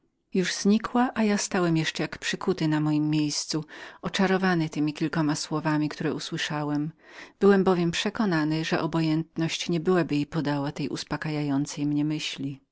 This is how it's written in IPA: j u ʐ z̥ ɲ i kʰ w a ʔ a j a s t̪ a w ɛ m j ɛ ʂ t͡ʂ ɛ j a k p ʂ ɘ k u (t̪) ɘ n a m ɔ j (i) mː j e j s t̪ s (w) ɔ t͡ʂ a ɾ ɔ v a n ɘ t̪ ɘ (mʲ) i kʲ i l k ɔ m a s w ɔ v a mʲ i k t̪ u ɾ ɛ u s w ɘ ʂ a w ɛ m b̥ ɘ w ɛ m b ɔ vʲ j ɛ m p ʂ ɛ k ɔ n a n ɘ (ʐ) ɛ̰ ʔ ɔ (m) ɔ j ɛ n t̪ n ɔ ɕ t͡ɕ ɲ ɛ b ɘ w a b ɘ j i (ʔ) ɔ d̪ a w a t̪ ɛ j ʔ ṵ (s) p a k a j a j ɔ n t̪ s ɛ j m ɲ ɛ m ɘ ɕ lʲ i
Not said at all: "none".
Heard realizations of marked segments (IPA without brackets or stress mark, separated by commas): t̪, i, u, mʲ, ʐ, b, p, s